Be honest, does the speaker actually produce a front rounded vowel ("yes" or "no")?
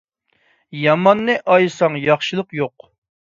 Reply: no